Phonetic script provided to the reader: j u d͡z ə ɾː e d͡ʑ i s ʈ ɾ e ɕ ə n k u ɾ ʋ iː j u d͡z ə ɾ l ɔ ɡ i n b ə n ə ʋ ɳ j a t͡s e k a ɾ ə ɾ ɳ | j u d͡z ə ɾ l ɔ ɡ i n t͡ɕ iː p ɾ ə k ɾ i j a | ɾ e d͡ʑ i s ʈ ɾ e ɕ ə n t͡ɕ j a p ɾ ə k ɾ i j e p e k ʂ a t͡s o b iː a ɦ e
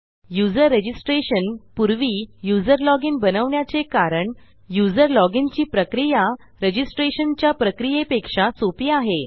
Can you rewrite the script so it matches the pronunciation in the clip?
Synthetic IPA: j u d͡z ə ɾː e d͡ʑ i s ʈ ɾ e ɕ ə n p u ɾ ʋ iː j u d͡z ə ɾ l ɔ ɡ i n b ə n ə ʋ ɳ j a t͡s e k a ɾ ə ɳ | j u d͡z ə ɾ l ɔ ɡ i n t͡ɕ iː p ɾ ə k ɾ i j a | ɾ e d͡ʑ i s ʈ ɾ e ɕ ə n t͡ɕ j a p ɾ ə k ɾ i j e p e k ʂ a t͡s o p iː a ɦ e